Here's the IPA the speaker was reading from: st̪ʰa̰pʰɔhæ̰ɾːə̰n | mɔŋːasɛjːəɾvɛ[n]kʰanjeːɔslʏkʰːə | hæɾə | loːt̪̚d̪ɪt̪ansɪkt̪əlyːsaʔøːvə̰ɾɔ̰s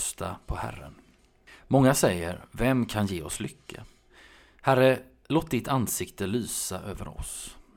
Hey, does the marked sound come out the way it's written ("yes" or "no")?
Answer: no